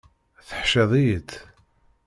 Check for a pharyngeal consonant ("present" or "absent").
present